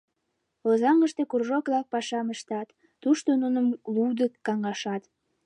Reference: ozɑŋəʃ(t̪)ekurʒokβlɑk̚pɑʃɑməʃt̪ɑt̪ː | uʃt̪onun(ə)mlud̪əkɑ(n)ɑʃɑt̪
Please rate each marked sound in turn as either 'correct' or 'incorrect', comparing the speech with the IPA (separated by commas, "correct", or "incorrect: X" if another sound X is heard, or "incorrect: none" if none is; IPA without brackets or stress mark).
correct, correct, incorrect: ŋ